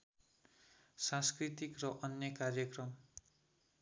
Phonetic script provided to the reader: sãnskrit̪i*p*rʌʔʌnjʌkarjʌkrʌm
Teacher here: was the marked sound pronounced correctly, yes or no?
no